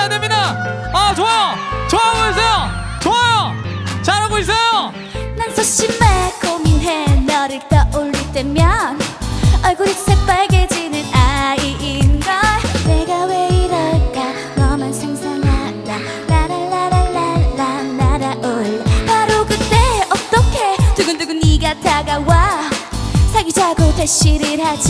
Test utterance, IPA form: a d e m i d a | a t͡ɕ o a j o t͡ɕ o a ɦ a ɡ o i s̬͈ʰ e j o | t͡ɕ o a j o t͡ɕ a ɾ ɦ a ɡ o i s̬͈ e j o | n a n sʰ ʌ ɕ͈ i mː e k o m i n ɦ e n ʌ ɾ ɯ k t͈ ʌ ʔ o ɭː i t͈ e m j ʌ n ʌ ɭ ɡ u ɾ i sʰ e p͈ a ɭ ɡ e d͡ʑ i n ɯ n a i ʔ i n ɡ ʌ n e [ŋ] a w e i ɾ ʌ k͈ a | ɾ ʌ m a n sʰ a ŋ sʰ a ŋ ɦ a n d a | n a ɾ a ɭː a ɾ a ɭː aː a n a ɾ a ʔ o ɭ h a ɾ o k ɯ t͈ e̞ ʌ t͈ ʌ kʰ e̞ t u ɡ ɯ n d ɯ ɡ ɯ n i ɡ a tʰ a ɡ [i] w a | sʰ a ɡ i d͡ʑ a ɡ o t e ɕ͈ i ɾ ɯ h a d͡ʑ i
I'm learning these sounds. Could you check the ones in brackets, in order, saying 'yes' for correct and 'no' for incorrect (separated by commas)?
no, no